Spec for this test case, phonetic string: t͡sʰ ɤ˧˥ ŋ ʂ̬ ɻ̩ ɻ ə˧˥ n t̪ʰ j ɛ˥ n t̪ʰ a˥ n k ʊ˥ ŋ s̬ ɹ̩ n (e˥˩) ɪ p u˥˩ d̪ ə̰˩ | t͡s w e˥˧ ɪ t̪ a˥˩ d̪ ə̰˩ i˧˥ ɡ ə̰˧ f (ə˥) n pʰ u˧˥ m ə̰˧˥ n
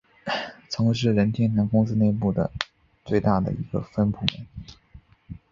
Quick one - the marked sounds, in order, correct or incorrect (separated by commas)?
incorrect, correct